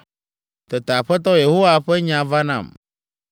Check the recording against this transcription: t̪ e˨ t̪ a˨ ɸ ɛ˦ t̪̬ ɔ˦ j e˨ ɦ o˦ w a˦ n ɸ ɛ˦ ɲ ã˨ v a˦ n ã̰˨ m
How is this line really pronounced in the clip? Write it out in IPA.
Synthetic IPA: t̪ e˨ t̪ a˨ ɸ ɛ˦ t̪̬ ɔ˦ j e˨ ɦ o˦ w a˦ ɸ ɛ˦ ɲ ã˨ v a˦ n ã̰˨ m